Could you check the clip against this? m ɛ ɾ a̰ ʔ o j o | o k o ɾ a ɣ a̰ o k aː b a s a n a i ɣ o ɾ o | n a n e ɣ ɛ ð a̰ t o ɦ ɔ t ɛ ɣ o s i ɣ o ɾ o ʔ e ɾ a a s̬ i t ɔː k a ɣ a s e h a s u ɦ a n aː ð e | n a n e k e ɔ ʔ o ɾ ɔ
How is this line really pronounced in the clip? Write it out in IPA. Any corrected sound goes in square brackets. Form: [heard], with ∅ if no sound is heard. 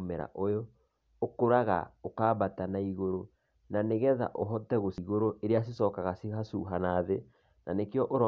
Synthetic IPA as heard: m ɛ ɾ a̰ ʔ o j o | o k o ɾ a ɣ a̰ o k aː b a [t] a n a i ɣ o ɾ o | n a n e ɣ ɛ ð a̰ [ʔ] o ɦ ɔ t ɛ ɣ o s i ɣ o ɾ o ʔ e ɾ [e] a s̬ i [s] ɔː k a ɣ a s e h a s u ɦ a n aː ð e | n a n e k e ɔ ʔ o ɾ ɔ